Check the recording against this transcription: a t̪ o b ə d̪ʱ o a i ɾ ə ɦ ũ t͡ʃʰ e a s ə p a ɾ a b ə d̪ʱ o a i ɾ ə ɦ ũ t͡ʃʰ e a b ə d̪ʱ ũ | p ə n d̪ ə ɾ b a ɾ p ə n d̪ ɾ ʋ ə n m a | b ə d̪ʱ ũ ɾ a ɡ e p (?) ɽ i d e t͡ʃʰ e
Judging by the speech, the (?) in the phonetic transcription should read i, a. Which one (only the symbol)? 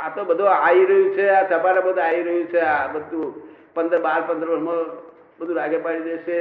a